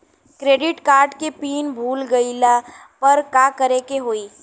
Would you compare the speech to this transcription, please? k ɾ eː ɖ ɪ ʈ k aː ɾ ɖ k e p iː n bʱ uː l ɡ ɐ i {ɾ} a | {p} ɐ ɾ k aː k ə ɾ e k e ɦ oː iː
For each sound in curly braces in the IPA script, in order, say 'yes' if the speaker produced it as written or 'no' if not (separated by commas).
no, yes